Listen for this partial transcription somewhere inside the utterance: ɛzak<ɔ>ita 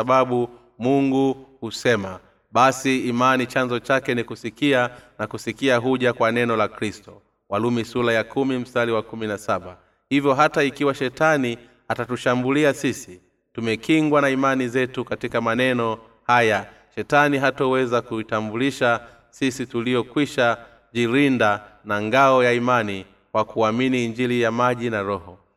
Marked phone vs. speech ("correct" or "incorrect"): incorrect